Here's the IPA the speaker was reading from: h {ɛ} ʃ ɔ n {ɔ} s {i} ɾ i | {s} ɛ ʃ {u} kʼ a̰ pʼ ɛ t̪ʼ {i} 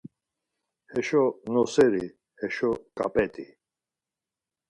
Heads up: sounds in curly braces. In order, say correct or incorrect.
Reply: correct, correct, incorrect: ɛ, incorrect: h, incorrect: ɔ, correct

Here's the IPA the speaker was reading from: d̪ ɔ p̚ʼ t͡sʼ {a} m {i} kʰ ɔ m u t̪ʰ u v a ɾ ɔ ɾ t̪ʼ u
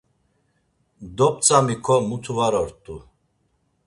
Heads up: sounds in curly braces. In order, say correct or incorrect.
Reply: correct, correct

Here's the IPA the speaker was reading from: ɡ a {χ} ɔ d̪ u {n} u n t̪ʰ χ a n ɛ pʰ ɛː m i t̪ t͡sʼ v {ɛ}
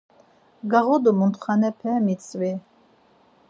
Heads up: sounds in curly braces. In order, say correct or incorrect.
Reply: incorrect: ʁ, incorrect: m, incorrect: i

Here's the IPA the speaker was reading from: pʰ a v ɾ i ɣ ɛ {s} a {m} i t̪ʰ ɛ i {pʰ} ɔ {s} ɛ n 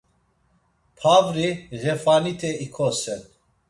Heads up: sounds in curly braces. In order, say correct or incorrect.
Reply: incorrect: f, incorrect: n, incorrect: kʰ, correct

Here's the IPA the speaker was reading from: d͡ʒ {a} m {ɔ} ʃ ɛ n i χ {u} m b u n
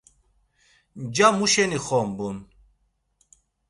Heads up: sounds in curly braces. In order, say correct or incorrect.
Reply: correct, incorrect: u, incorrect: ɔ

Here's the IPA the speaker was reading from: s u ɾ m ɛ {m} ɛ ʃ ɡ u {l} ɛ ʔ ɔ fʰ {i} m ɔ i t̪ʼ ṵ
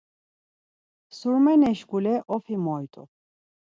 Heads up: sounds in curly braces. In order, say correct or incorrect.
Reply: incorrect: n, correct, correct

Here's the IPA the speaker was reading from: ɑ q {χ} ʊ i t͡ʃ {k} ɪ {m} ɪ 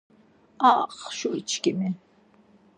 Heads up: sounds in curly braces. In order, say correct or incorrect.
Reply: incorrect: ʃ, correct, correct

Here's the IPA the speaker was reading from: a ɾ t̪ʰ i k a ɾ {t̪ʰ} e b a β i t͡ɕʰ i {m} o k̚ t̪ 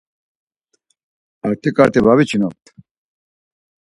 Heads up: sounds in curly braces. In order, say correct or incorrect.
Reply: incorrect: t̪, incorrect: n

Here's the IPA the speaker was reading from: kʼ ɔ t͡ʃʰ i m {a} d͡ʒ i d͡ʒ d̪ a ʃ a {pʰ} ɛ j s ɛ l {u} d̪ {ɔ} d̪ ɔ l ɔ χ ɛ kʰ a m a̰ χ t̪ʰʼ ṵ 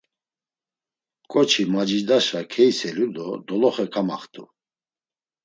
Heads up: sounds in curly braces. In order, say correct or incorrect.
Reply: correct, incorrect: kʰ, correct, correct

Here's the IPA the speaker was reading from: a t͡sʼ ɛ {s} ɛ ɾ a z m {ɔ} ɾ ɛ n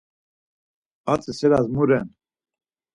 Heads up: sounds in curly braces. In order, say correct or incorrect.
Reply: correct, incorrect: u

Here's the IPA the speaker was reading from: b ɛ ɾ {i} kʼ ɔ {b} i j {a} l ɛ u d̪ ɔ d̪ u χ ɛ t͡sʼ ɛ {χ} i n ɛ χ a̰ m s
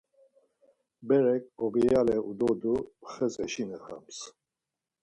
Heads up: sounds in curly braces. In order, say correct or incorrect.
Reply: incorrect: ɛ, correct, correct, incorrect: ʃ

